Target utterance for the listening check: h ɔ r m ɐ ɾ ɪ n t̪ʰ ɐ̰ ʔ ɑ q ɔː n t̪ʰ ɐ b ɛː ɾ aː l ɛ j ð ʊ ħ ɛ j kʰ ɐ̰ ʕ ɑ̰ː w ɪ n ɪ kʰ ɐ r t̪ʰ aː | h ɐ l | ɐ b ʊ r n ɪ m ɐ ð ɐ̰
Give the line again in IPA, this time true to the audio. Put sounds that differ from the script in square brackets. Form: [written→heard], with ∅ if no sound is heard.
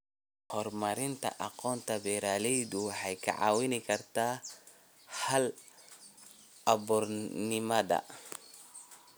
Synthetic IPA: h ɔ r m ɐ ɾ ɪ n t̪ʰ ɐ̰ ʔ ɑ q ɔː n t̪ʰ ɐ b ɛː ɾ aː l ɛ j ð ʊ ħ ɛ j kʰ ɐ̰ ʕ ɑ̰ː w ɪ n ɪ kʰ ɐ r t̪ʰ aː | h ɐ l | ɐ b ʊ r n ɪ m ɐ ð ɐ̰

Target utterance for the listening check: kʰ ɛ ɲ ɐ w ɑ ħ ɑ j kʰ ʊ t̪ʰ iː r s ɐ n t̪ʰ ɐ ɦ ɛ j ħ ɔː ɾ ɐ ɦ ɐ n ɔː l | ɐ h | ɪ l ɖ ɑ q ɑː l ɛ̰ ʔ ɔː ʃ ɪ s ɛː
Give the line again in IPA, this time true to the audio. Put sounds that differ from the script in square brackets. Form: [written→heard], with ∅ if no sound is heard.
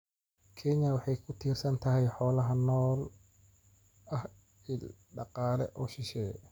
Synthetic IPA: kʰ ɛ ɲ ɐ w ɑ ħ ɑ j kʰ ʊ t̪ʰ iː r s ɐ n t̪ʰ ɐ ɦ ɛ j ħ ɔː [ɾ→l] ɐ ɦ ɐ n ɔː l | ɐ h | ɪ l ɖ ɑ q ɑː l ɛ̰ ʔ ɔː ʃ ɪ [s→ʃ] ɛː

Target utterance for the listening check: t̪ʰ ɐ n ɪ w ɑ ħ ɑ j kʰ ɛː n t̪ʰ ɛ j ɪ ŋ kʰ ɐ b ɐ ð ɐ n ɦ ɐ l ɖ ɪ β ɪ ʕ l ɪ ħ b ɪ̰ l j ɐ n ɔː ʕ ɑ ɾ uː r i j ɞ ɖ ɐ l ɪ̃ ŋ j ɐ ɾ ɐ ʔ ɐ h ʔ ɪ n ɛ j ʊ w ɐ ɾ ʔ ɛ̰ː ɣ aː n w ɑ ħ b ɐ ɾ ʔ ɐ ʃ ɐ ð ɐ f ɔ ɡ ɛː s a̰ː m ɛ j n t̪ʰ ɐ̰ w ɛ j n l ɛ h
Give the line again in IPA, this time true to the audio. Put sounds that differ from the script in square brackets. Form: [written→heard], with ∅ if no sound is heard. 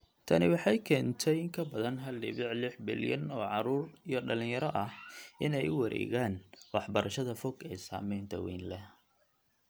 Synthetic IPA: t̪ʰ ɐ n ɪ w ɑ ħ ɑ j kʰ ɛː n t̪ʰ ɛ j ɪ ŋ kʰ ɐ b ɐ ð ɐ n ɦ ɐ l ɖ ɪ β ɪ ʕ l ɪ ħ b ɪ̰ l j ɐ n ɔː ʕ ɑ ɾ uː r i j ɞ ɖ ɐ l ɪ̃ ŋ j ɐ ɾ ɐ ʔ ɐ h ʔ ɪ n ɛ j ʊ w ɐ ɾ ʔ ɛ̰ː ɣ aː n w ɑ ħ b ɐ ɾ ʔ ɐ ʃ ɐ ð ɐ f ɔ ɡ ɛː s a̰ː m ɛ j n t̪ʰ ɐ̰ w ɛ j n l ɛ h

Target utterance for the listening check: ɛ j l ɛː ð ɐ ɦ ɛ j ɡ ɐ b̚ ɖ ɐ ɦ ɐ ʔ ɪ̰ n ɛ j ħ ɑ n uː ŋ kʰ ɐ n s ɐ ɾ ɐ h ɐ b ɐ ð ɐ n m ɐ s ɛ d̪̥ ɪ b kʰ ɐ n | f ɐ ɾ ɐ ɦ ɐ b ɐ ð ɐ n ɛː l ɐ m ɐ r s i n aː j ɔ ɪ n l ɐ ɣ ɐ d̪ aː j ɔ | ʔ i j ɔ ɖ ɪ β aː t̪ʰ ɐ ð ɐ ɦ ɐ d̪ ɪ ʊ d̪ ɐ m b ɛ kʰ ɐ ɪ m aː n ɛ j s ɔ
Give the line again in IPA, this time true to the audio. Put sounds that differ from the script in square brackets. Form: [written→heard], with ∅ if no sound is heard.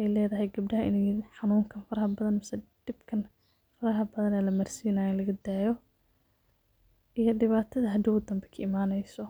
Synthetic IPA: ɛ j l ɛː ð ɐ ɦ ɛ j ɡ ɐ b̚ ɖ ɐ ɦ ɐ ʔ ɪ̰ n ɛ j ħ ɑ n uː ŋ kʰ ɐ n [s→f] ɐ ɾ ɐ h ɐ b ɐ ð ɐ n m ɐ s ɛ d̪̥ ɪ b kʰ ɐ n | f ɐ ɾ ɐ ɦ ɐ b ɐ ð ɐ n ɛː l ɐ m ɐ r s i n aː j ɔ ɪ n l ɐ ɣ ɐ d̪ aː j ɔ | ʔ i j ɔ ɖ ɪ β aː t̪ʰ ɐ ð ɐ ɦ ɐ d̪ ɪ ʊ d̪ ɐ m b ɛ kʰ ɐ ɪ m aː n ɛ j s ɔ

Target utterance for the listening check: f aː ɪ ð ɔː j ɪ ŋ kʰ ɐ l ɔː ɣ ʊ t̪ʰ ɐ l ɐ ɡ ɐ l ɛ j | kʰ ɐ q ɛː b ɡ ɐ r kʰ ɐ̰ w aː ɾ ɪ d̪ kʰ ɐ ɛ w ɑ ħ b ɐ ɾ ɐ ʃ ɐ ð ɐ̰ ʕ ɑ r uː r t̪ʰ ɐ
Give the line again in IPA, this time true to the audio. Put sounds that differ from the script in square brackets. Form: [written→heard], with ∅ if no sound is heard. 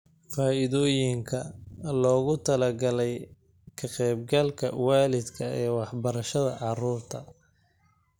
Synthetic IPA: f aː ɪ ð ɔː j ɪ ŋ kʰ ɐ l ɔː ɣ ʊ t̪ʰ ɐ l ɐ ɡ ɐ l ɛ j | kʰ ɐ q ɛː b ɡ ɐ [r→l] kʰ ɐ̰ w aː [ɾ→l] ɪ d̪ kʰ ɐ [ɛ→ɛː] w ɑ ħ b ɐ ɾ ɐ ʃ ɐ ð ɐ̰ ʕ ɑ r uː r t̪ʰ ɐ

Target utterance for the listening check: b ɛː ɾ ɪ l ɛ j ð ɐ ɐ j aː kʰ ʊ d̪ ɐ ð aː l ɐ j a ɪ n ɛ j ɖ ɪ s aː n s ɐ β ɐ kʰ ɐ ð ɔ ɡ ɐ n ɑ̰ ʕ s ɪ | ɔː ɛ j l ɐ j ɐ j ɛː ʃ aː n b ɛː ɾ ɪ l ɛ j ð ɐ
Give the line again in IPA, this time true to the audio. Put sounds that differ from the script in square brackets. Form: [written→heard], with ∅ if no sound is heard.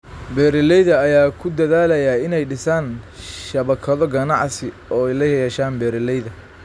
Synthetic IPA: b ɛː ɾ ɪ l ɛ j ð ɐ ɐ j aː kʰ ʊ d̪ ɐ ð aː l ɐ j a ɪ n ɛ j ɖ ɪ s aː n [s→ʃ] ɐ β ɐ kʰ ɐ ð ɔ ɡ ɐ n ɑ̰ ʕ s ɪ | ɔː ɛ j l ɐ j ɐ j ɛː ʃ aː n b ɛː ɾ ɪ l ɛ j ð ɐ

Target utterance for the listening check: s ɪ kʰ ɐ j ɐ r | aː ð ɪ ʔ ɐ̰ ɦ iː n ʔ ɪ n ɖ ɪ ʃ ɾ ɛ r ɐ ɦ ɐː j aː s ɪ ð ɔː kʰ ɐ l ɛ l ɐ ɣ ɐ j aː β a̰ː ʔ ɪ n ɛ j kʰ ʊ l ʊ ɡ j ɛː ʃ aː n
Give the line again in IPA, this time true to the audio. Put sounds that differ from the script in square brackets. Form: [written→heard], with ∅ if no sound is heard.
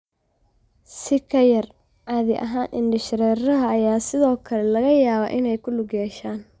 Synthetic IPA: s ɪ kʰ ɐ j ɐ r | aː ð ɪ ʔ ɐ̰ ɦ [iː→aː] n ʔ ɪ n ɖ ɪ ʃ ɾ ɛ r ɐ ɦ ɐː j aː s ɪ ð ɔː kʰ ɐ l ɛ l ɐ ɣ ɐ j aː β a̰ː ʔ ɪ n ɛ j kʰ ʊ l ʊ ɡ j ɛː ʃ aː n

